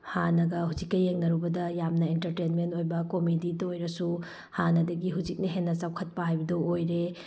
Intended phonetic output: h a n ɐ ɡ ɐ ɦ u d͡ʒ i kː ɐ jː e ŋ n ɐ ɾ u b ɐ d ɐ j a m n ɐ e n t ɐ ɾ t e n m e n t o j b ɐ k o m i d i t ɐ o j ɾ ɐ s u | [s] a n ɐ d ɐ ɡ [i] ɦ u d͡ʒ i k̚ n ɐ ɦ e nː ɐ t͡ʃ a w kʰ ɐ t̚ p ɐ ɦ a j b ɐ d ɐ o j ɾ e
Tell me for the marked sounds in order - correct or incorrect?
incorrect: h, correct

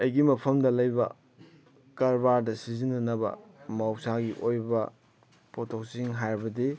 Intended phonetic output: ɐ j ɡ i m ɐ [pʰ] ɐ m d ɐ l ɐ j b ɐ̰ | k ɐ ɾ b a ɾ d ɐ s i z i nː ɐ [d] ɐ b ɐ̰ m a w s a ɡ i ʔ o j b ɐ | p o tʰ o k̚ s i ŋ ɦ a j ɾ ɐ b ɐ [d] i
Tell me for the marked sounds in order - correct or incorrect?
correct, incorrect: n, correct

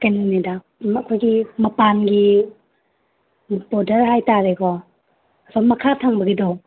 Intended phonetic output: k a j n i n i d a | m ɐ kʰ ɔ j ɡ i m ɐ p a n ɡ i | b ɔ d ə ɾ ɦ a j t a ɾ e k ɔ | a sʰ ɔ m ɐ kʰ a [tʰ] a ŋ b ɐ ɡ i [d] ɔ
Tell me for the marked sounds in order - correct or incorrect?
correct, correct

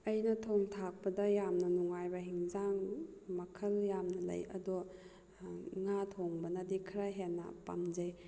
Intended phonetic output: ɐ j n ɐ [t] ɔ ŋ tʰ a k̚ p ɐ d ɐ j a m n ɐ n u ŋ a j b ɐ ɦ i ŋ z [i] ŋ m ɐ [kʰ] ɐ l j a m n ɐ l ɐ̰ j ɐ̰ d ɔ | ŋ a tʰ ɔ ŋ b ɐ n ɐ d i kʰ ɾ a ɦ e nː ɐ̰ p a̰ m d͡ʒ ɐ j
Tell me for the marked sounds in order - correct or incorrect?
incorrect: tʰ, incorrect: a, correct

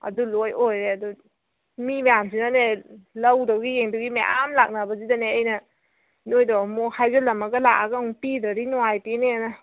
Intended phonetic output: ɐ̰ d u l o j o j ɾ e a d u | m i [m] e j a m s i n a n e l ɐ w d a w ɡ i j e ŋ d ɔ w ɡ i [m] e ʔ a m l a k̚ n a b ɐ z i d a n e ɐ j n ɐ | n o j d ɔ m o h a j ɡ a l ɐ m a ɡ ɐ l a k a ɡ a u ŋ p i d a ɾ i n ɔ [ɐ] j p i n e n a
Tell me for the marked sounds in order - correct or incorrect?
correct, correct, incorrect: a

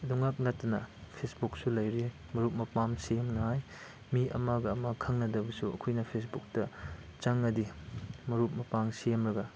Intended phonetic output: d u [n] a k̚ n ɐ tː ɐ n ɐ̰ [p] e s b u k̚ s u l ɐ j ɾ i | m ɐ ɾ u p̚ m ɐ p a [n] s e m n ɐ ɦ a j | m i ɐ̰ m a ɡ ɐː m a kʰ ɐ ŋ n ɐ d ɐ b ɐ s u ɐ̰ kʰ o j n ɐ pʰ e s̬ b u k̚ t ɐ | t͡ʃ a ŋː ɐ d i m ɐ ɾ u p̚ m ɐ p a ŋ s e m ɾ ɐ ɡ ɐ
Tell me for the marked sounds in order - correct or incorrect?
incorrect: ŋ, incorrect: pʰ, incorrect: m

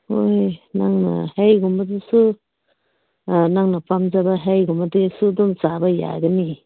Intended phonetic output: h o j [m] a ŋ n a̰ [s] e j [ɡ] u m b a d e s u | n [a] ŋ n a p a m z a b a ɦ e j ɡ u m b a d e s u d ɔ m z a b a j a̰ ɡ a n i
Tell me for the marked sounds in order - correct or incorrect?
incorrect: n, incorrect: h, correct, correct

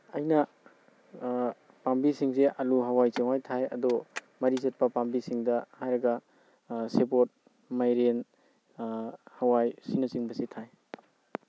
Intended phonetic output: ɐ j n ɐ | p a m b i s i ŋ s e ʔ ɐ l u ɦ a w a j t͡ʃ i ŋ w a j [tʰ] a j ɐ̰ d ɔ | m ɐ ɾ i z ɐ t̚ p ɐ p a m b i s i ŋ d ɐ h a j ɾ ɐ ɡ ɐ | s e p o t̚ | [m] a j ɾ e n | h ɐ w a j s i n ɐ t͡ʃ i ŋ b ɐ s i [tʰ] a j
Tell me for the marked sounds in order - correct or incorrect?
correct, correct, correct

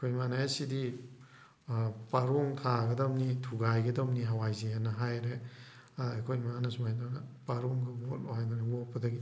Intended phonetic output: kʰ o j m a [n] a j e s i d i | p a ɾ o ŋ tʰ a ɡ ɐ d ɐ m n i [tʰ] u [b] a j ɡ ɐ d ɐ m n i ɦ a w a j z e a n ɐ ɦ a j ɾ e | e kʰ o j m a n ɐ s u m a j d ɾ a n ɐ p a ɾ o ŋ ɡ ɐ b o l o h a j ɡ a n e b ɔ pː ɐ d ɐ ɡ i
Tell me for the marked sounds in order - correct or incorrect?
correct, correct, incorrect: ɡ

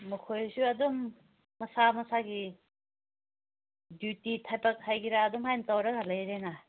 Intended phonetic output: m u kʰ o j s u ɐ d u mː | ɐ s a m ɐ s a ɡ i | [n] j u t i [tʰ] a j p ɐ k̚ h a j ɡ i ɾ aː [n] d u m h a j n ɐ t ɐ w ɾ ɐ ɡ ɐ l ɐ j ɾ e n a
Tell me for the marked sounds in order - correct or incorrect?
incorrect: d, correct, incorrect: none

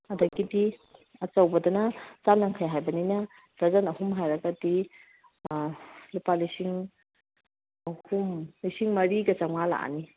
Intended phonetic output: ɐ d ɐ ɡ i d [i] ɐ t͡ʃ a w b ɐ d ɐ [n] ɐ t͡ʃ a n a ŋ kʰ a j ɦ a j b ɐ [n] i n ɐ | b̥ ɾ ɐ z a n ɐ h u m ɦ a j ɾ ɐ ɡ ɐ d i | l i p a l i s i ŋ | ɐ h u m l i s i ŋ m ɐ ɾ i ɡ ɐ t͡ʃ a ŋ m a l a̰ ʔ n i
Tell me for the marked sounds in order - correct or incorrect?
correct, correct, correct

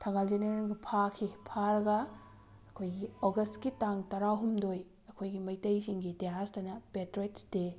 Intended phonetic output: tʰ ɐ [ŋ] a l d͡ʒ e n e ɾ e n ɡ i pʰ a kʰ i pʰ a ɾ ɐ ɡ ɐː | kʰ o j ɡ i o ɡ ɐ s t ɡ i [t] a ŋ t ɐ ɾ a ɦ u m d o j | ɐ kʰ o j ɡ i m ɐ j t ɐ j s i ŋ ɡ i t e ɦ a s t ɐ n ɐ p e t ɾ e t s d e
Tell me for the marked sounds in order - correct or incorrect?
correct, correct

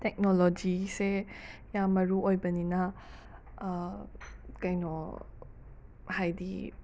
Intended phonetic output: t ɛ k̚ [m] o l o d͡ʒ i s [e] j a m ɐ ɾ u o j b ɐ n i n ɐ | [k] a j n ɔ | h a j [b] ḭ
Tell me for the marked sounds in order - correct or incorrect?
incorrect: n, correct, correct, incorrect: d

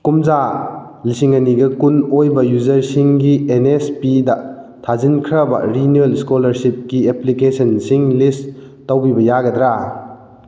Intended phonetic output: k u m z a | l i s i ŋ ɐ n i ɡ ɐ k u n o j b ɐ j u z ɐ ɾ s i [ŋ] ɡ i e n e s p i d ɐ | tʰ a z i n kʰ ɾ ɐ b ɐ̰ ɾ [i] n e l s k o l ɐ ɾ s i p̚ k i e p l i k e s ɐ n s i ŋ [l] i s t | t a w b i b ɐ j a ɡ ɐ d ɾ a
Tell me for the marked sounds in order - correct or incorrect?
correct, correct, correct

